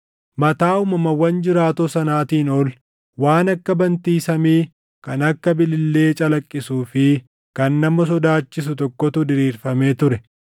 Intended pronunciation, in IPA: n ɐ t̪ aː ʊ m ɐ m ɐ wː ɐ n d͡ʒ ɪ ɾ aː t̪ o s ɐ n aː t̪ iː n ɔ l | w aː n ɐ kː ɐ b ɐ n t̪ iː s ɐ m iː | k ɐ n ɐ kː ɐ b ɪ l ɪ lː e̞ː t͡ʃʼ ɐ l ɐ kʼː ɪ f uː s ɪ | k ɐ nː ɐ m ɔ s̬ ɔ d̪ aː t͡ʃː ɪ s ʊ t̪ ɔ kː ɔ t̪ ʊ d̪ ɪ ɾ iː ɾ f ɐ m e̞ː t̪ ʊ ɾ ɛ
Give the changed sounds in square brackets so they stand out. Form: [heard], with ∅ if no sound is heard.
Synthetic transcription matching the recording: [m] ɐ t̪ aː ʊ m ɐ m ɐ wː ɐ n d͡ʒ ɪ ɾ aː t̪ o s ɐ n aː t̪ iː n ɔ l | w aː n ɐ kː ɐ b ɐ n t̪ iː s ɐ m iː | k ɐ n ɐ kː ɐ b ɪ l ɪ lː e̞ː t͡ʃʼ ɐ l ɐ kʼː ɪ [s] uː [f] ɪ | k ɐ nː ɐ m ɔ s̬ ɔ d̪ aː t͡ʃː ɪ s ʊ t̪ ɔ kː ɔ t̪ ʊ d̪ ɪ ɾ iː ɾ f ɐ m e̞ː t̪ ʊ ɾ ɛ